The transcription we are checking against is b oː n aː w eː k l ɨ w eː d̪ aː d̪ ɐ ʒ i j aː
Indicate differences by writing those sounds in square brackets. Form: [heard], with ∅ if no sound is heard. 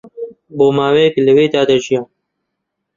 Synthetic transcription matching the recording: b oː [m] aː w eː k l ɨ w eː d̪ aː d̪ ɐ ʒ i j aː

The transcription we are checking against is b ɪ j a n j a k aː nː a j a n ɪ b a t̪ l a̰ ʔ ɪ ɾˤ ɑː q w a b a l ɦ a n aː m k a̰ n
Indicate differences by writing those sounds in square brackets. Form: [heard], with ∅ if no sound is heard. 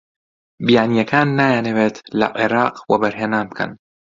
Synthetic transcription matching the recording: b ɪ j a n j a k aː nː a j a n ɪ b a t̪ l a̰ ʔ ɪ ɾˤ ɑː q w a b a [ɾ] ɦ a n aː m k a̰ n

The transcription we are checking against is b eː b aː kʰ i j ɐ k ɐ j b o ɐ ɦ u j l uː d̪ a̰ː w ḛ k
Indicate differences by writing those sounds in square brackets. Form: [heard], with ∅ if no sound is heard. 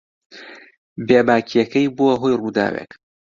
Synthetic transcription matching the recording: b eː b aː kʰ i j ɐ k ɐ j b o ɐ ɦ [o] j [r] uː d̪ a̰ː w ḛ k

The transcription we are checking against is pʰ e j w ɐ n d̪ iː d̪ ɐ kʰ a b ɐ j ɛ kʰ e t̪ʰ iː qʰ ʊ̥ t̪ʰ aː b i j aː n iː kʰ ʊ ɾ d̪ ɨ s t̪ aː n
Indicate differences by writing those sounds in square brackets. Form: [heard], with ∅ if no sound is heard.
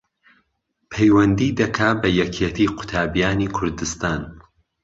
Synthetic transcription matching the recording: pʰ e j w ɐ n d̪ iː d̪ ɐ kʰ a b ɐ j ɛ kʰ e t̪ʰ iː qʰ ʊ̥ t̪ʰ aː b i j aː n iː kʰ ʊ ɾ d̪ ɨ s t̪ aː n

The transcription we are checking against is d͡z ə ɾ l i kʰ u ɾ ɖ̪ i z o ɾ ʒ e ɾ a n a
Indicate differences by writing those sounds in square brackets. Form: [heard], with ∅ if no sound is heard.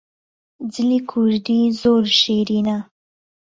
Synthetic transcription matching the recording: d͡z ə [∅] l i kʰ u ɾ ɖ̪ i z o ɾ [ʃ] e ɾ [i] n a

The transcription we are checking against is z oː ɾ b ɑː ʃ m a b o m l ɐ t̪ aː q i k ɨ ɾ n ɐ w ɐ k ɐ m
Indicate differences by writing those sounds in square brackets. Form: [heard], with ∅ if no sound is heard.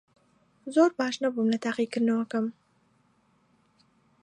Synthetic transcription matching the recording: z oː ɾ b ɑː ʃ [n] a b [u] m l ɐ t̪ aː q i k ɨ ɾ n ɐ w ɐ k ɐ m

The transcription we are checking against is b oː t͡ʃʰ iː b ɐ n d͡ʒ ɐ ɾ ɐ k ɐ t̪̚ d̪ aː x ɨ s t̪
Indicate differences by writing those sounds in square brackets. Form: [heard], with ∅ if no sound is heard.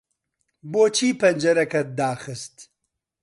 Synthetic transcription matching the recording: b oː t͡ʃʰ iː [p] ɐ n d͡ʒ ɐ ɾ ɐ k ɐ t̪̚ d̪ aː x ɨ s t̪

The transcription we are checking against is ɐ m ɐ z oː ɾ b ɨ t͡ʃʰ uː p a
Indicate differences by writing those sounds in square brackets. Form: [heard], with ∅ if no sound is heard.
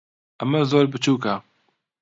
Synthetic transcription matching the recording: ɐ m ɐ z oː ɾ b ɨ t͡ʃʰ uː [k] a

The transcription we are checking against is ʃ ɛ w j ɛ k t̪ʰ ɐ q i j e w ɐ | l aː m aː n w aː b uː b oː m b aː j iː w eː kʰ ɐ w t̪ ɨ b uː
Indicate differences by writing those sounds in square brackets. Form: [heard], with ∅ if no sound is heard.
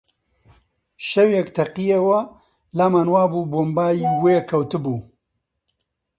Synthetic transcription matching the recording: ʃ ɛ w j ɛ k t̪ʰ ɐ q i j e w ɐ | l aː m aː n w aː b uː b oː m b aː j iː w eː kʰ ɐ w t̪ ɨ b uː

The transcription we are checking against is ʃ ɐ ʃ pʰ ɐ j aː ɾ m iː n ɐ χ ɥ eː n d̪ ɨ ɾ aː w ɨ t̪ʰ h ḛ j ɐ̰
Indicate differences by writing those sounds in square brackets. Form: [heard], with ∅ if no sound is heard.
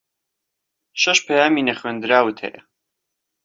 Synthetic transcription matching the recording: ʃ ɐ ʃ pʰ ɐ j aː [∅] m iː n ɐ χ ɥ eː n d̪ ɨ ɾ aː w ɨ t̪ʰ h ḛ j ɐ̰

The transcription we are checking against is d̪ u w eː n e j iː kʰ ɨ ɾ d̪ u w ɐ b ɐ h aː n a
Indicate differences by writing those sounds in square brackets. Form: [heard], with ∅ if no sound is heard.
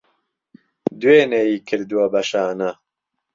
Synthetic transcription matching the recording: d̪ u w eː n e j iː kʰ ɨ ɾ d̪ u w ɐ b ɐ [ʃ] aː n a

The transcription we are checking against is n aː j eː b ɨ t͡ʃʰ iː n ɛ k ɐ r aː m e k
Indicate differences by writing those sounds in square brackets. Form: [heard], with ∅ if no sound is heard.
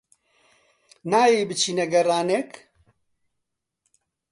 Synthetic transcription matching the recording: n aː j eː b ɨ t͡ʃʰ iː n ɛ [ɡ] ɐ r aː [n] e k

